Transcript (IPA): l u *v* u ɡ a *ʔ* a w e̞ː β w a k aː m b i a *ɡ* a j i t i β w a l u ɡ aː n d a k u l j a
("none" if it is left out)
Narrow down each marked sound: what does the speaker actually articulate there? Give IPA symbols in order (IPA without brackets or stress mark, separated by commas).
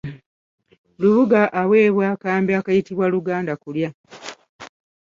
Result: β, ʔ, k